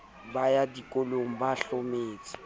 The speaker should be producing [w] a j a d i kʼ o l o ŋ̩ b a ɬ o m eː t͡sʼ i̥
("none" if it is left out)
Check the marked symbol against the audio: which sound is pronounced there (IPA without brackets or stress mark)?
b